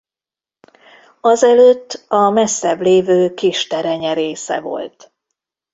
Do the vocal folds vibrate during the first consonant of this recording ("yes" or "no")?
yes